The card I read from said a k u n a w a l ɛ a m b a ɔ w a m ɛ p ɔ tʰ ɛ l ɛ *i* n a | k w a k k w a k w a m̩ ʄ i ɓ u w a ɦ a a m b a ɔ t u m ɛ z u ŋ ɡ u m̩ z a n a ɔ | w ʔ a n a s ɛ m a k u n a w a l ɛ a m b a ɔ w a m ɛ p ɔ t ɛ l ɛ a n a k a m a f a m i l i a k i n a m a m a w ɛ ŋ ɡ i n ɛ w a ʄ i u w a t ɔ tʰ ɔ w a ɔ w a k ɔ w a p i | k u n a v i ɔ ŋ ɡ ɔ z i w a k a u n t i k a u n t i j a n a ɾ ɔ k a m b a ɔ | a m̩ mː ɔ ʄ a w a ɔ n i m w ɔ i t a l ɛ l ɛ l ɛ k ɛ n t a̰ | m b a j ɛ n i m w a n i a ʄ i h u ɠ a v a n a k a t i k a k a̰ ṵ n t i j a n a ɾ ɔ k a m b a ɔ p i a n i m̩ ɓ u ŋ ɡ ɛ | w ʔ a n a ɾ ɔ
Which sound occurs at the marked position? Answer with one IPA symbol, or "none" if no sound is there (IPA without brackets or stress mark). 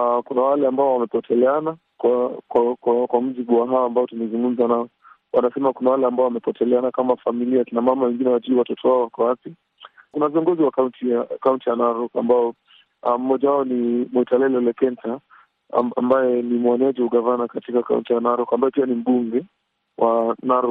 a